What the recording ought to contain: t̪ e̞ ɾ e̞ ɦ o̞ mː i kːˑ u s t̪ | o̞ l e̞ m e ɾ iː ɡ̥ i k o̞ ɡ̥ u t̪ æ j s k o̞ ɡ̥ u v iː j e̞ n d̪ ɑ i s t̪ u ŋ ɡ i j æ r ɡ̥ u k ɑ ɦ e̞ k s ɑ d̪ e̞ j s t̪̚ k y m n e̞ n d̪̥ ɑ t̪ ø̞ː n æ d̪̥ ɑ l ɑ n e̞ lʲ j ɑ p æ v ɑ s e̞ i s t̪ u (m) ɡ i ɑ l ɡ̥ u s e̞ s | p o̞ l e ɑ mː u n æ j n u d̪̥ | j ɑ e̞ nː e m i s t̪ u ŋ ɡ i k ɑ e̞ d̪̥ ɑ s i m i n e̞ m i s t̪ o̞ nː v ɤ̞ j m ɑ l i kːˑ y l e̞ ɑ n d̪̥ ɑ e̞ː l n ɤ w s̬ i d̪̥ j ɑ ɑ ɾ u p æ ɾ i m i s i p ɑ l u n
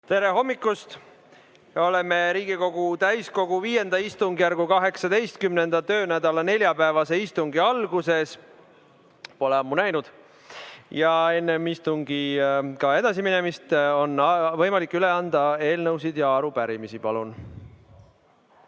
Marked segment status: incorrect: ŋ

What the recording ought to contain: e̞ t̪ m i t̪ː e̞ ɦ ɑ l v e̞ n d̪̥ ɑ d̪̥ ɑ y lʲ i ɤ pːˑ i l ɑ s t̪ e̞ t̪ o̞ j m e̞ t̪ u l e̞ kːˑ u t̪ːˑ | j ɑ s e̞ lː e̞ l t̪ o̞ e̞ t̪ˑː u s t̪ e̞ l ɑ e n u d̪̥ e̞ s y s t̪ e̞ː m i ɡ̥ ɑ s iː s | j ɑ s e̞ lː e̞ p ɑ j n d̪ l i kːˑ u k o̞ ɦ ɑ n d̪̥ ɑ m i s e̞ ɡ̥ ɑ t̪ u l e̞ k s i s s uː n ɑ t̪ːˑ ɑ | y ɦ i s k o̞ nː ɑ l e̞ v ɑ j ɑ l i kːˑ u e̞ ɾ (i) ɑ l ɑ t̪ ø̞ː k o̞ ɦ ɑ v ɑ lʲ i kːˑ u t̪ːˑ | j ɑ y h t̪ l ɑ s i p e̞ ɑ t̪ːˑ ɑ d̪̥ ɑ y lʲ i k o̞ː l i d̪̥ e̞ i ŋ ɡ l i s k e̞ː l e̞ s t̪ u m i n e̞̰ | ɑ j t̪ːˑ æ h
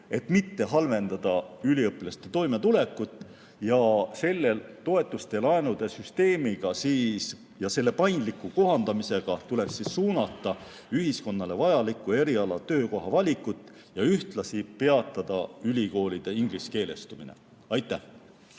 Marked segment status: correct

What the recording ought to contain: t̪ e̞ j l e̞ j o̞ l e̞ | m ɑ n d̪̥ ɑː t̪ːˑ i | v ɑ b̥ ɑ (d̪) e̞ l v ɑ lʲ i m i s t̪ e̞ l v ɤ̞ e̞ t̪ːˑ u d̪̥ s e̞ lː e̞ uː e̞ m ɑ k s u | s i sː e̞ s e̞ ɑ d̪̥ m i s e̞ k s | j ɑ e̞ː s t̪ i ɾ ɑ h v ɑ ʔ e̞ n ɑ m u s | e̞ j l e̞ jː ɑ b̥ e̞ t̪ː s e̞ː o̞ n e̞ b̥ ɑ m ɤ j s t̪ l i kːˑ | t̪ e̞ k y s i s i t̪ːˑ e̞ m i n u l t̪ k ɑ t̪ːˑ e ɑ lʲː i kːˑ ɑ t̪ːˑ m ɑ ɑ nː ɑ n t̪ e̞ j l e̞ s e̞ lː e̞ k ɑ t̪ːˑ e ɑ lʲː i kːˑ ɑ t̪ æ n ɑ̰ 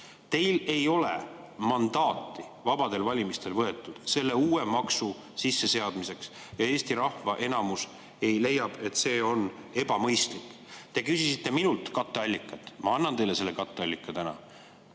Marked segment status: correct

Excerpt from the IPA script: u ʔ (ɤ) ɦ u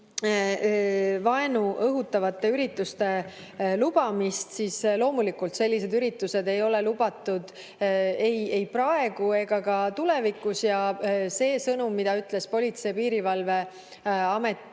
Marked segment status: correct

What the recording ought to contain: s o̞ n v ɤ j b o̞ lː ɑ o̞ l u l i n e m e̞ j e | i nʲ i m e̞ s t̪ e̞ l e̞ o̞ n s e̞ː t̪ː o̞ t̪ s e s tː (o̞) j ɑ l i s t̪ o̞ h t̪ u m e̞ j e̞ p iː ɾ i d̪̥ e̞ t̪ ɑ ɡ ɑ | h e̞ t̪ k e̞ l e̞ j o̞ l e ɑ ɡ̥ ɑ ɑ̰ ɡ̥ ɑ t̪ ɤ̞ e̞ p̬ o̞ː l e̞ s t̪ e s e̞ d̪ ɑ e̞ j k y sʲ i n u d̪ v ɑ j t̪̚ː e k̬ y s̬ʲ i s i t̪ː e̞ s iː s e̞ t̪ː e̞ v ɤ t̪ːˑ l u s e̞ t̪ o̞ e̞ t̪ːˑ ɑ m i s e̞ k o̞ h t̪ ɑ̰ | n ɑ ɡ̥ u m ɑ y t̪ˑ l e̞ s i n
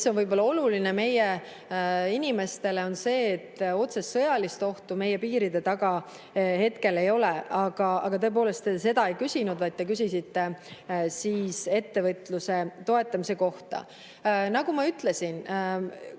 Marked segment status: incorrect: ɤ̞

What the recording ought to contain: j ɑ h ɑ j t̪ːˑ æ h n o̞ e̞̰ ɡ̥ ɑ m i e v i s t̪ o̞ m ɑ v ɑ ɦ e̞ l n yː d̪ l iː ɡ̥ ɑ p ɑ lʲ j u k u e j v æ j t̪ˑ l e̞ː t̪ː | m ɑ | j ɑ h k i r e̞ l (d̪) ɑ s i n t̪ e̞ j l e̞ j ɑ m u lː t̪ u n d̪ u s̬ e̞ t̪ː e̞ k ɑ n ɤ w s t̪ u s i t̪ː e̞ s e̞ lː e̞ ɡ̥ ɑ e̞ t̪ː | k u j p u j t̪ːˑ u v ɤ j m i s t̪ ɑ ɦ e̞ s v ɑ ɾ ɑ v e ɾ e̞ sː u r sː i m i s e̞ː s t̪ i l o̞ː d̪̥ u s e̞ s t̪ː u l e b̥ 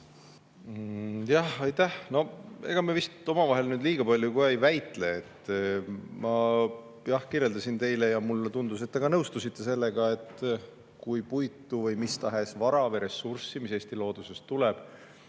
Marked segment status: correct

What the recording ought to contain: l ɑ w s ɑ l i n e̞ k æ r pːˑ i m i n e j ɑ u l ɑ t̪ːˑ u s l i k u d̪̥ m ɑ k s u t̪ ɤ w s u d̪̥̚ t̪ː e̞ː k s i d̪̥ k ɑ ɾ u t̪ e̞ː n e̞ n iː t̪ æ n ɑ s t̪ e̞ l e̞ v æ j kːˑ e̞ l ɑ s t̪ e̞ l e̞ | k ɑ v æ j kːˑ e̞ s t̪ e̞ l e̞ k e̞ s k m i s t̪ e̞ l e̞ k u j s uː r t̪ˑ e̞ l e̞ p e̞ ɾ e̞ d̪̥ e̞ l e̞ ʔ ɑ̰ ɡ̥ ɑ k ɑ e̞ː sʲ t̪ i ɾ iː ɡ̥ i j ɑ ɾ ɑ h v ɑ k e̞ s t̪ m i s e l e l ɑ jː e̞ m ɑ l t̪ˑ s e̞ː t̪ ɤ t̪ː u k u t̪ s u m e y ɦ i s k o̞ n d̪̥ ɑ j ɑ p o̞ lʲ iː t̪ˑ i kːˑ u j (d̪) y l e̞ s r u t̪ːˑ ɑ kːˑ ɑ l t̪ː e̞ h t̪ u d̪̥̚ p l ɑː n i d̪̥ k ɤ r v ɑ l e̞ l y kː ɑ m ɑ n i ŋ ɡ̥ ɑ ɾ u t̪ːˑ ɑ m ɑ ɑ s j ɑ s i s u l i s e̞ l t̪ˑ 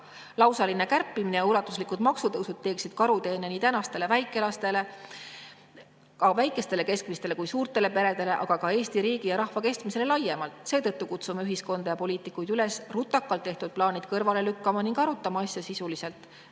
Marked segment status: correct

